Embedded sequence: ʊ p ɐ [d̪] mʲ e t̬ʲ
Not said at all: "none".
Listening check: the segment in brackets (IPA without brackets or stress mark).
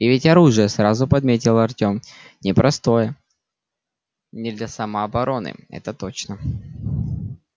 d̪